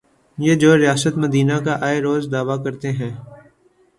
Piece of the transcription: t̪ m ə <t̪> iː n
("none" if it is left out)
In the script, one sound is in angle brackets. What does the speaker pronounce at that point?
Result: d̪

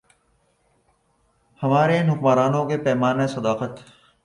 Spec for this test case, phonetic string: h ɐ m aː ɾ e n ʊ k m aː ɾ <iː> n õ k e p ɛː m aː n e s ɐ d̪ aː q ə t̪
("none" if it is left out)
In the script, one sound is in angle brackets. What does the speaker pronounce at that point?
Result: aː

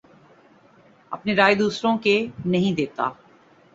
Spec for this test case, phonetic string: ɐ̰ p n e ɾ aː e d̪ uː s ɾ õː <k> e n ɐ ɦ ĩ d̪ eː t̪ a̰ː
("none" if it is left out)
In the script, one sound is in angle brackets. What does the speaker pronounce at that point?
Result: k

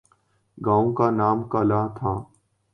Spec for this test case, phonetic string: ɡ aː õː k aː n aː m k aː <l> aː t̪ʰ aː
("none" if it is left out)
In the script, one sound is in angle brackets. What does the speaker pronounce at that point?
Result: l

